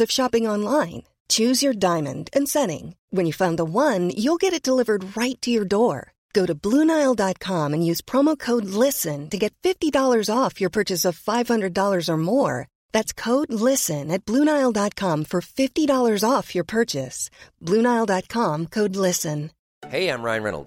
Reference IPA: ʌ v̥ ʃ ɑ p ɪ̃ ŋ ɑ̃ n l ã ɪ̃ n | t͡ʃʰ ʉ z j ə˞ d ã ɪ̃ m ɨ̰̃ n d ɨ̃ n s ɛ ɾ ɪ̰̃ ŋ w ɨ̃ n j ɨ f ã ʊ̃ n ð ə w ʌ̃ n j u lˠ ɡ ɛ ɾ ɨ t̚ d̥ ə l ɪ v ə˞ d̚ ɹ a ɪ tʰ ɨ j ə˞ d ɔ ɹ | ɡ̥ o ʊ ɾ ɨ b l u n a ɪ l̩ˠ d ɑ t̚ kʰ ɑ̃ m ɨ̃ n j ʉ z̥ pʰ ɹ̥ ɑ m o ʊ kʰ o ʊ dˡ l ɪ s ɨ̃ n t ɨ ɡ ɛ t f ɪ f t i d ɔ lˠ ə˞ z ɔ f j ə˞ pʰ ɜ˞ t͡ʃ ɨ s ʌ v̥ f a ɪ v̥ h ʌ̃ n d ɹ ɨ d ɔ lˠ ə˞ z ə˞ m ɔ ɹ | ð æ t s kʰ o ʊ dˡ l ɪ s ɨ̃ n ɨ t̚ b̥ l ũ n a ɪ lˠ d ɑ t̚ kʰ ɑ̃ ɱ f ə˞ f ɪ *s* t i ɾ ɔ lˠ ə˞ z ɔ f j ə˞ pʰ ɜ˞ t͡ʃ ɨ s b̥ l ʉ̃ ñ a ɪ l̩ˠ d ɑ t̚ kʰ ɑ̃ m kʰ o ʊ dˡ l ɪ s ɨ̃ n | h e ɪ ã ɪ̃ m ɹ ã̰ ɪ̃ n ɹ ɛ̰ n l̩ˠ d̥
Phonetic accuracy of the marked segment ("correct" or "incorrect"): incorrect